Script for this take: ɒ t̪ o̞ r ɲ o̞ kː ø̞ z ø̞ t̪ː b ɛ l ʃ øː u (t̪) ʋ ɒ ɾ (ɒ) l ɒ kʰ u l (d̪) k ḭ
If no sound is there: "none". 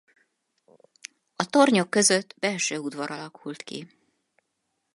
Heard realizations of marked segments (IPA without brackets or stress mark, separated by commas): d̪, ɒ, t̪